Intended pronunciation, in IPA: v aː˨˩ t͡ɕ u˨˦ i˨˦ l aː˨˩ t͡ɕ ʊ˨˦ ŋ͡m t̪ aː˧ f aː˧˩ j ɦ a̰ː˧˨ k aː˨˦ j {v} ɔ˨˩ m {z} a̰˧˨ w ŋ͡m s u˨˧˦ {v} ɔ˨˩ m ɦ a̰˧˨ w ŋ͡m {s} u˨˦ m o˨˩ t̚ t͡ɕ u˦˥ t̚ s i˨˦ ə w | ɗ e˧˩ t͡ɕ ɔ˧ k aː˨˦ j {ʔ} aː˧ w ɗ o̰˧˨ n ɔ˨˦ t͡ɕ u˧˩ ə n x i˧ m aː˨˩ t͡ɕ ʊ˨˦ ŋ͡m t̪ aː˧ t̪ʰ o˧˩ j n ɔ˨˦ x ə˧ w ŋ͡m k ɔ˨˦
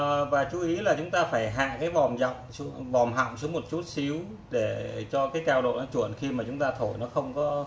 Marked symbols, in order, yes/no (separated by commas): yes, yes, yes, yes, no